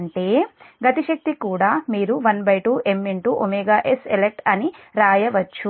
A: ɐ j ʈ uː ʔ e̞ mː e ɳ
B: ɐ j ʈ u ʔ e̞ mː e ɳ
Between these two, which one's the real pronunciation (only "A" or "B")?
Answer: A